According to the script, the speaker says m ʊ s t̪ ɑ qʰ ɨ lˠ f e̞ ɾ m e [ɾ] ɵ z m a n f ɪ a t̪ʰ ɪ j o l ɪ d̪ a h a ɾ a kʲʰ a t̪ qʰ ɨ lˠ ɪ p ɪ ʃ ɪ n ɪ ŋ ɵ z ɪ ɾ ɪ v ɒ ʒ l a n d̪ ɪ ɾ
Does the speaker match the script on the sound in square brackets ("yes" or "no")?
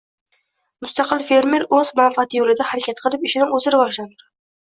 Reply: yes